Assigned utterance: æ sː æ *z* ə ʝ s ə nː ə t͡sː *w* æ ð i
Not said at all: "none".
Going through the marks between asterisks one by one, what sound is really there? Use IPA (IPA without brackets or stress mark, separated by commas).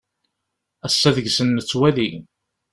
ð, w